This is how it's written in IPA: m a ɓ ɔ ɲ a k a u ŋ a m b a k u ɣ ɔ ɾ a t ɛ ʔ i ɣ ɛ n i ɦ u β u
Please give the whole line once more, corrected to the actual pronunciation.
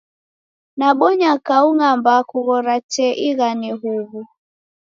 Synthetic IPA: n a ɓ ɔ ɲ a k a u ŋ a m b a k u ɣ ɔ ɾ a t͡ʃ ɛ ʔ i ɣ a n i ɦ u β u